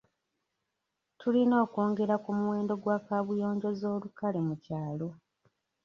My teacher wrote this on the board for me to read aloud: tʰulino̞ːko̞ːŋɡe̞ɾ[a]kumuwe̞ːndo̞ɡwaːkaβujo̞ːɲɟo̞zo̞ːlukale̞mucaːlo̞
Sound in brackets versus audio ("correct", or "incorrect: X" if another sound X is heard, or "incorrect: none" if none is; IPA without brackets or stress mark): correct